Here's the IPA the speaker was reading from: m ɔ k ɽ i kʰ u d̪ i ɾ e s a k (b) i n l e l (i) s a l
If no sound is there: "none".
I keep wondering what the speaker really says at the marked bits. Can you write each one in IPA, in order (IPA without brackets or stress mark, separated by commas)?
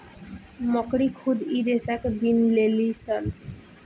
b, i